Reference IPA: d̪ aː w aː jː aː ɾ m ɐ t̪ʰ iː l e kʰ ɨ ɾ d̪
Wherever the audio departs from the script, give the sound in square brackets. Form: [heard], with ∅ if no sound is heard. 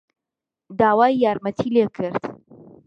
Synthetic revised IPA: d̪ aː w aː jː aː ɾ m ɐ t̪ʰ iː l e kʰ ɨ ɾ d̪